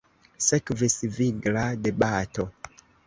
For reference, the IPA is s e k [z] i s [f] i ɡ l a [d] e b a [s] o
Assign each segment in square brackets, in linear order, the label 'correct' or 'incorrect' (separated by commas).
incorrect, incorrect, correct, incorrect